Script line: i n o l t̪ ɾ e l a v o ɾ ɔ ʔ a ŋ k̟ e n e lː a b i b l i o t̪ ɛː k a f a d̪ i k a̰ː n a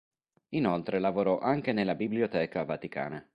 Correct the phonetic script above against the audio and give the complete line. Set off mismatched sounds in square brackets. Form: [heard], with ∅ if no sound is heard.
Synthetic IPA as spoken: i n o l t̪ ɾ e l a v o ɾ ɔ ʔ a ŋ k̟ e n e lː a b i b l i o t̪ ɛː k a [v] a [t̪] i k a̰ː n a